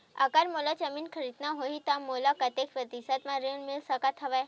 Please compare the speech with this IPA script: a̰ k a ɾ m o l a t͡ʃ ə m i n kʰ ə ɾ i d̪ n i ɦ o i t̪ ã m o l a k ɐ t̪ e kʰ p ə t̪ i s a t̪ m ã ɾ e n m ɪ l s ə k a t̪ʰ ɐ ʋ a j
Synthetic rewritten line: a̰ k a ɾ m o l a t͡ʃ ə m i n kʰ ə ɾ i d̪ n a ɦ o i t̪ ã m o l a k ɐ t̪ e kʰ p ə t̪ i s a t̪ m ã ɾ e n m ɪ l s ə k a t̪ʰ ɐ ʋ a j